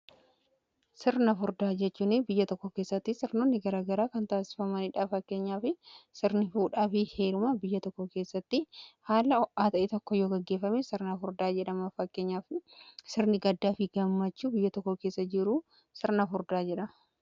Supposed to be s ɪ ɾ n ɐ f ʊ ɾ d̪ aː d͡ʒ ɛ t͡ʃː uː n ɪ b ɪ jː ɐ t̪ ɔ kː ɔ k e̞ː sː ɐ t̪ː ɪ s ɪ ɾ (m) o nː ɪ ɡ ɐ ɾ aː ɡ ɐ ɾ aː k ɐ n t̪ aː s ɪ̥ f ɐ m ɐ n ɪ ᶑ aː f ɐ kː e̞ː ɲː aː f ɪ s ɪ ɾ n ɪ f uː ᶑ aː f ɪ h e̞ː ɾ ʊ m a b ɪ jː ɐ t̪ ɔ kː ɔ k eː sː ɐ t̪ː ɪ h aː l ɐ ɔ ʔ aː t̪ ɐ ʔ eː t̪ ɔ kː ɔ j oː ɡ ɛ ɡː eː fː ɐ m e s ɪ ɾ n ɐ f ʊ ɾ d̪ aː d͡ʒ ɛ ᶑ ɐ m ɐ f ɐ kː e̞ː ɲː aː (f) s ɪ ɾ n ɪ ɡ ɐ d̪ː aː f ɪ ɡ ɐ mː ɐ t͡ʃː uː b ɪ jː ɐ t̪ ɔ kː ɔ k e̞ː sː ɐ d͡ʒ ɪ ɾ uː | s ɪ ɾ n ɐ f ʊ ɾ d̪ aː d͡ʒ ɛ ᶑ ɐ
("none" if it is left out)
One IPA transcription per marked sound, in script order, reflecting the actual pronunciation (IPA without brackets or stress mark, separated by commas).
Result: n, f